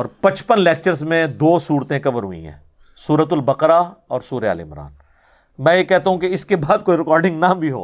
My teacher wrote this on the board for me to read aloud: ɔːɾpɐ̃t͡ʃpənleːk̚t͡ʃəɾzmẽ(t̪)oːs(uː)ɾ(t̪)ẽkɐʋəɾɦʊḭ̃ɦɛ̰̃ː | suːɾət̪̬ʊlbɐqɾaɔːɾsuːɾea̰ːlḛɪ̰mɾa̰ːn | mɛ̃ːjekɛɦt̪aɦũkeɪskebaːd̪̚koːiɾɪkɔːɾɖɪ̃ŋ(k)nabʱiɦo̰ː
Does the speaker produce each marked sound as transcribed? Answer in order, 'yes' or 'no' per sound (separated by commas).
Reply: no, yes, yes, no